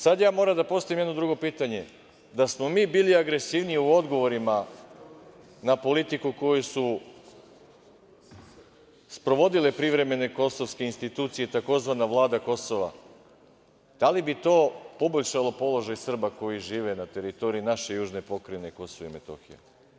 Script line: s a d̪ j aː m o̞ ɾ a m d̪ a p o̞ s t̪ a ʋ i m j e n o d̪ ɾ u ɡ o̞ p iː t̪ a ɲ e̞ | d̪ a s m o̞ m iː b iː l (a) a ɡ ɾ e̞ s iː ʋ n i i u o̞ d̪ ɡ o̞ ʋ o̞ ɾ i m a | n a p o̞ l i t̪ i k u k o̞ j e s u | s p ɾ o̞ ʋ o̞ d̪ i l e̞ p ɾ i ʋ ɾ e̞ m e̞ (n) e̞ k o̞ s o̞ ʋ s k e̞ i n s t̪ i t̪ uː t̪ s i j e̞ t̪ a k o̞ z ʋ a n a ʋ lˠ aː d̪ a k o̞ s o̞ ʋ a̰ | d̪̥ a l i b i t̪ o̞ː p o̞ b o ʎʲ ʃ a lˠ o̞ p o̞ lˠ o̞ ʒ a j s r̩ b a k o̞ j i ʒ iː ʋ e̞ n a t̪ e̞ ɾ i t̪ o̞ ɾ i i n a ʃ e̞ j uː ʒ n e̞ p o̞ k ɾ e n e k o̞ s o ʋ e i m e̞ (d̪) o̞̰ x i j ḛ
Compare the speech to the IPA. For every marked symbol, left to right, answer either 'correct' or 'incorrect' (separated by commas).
incorrect, correct, incorrect